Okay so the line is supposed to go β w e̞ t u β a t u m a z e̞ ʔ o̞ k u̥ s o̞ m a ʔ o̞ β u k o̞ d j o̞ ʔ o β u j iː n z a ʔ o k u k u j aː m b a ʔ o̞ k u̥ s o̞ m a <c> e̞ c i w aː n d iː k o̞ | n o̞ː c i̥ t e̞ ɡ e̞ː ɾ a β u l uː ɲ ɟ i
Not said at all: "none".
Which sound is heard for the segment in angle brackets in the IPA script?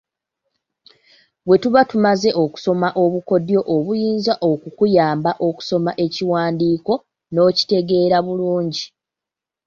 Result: ʔ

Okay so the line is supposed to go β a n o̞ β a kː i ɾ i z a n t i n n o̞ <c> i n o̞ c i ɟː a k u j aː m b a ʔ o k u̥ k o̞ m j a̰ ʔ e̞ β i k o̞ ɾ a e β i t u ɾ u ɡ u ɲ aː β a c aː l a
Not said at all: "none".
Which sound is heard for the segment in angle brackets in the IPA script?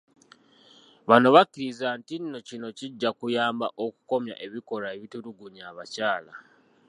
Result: c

